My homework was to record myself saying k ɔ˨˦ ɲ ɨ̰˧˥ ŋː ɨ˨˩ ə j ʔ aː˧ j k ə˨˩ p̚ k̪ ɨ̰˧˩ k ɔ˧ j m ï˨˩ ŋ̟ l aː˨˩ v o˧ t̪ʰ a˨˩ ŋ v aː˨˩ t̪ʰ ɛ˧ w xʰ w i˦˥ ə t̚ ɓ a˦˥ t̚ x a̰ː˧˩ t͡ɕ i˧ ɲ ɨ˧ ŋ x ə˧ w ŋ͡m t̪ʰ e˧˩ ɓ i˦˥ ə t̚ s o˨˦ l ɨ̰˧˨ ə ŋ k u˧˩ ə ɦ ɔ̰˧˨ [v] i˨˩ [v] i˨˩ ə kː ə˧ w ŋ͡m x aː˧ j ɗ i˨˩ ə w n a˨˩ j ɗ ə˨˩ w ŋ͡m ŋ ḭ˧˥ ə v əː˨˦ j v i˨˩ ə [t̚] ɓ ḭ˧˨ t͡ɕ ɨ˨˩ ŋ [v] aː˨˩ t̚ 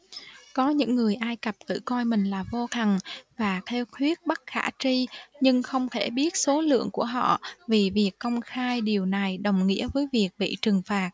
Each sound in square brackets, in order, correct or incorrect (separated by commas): correct, correct, incorrect, incorrect